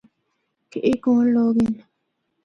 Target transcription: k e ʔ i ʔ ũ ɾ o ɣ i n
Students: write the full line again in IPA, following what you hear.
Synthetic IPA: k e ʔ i k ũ l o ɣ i n